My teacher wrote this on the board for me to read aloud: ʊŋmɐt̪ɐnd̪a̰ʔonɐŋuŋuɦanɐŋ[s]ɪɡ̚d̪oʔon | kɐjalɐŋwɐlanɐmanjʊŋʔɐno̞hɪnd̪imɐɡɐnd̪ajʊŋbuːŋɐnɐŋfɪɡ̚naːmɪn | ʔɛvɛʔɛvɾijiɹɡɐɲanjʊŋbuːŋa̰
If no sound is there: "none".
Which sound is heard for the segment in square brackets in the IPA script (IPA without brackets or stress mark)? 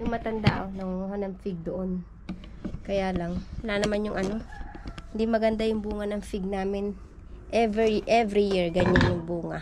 f